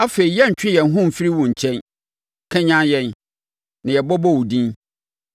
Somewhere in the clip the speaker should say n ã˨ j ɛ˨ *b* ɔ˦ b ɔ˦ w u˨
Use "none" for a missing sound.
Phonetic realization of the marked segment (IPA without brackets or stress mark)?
b